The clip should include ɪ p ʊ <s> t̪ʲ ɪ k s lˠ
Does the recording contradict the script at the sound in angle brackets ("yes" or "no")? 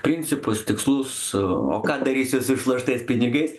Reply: no